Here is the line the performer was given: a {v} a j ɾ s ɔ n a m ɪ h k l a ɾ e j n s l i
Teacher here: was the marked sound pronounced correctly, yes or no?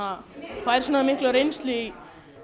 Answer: no